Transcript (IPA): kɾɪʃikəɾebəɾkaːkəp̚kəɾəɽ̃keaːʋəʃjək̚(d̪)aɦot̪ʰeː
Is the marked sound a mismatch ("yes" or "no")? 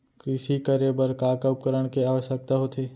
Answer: yes